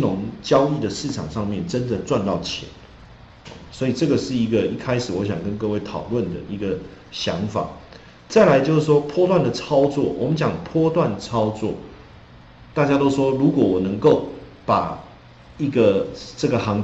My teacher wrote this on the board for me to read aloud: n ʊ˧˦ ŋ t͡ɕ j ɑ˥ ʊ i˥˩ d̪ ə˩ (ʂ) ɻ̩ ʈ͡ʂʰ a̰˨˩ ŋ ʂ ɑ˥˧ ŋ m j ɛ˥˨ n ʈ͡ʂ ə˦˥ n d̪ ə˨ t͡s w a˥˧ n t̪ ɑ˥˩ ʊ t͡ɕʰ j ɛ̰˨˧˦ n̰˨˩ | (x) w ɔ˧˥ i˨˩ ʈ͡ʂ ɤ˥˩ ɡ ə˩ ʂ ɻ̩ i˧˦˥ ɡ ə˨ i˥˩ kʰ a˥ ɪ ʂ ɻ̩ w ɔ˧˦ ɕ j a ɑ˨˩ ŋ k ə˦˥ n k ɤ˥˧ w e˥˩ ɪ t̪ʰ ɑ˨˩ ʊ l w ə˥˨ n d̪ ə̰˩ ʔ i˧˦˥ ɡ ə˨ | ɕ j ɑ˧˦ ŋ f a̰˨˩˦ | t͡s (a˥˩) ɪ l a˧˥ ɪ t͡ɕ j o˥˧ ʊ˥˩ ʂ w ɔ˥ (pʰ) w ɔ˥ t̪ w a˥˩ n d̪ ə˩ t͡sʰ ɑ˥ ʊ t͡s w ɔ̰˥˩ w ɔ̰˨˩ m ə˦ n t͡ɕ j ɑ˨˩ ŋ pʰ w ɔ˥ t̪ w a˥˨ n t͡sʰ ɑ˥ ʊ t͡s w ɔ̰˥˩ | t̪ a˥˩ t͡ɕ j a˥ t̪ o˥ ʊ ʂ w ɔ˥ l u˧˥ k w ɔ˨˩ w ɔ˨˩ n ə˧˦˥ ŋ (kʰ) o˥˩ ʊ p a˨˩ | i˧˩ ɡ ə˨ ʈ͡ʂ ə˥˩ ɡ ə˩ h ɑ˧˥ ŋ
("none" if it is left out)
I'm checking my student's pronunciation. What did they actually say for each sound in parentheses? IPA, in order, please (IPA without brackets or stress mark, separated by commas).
ʂ, s, a˥˩, pʰ, k